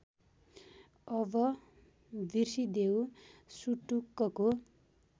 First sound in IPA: ʌ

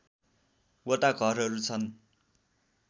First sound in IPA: w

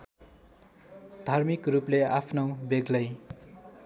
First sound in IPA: d̪ʱ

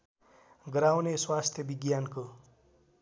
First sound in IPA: ɡ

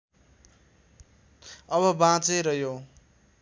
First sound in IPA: ʌ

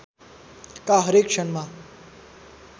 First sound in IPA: k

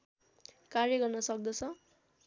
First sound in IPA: k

